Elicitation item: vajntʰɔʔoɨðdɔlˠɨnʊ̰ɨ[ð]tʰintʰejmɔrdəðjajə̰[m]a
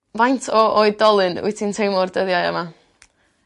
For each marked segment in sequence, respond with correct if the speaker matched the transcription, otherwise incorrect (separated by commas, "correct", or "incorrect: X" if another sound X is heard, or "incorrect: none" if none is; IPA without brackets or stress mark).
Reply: incorrect: none, correct